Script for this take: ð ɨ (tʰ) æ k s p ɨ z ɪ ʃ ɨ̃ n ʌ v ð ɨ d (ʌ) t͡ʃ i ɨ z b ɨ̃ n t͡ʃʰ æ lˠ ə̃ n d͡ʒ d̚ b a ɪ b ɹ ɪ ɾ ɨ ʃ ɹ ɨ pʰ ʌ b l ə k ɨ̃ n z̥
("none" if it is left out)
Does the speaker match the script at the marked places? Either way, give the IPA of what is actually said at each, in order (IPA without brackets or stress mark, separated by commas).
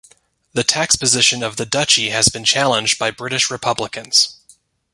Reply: tʰ, ʌ